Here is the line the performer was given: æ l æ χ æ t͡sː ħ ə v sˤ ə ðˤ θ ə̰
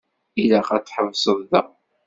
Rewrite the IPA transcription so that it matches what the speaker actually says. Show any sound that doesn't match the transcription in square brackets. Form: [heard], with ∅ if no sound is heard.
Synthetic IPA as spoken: [i] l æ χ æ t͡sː ħ ə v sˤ ə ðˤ [ð] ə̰